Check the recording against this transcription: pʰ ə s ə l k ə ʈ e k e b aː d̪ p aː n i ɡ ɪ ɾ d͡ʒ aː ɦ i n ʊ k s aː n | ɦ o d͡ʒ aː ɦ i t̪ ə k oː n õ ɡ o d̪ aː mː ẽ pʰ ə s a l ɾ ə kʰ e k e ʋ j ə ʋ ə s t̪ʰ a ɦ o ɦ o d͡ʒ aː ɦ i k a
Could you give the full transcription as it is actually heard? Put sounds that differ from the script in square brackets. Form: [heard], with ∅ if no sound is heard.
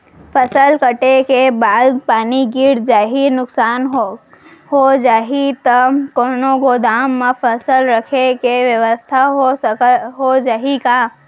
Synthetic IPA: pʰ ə s ə l k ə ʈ e k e b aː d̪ p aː n i ɡ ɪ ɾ d͡ʒ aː ɦ i n ʊ k s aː n | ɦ o d͡ʒ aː ɦ i t̪ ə k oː n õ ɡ o d̪ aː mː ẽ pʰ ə s [ə] l ɾ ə kʰ e k e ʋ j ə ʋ ə s t̪ʰ a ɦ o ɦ o d͡ʒ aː ɦ i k a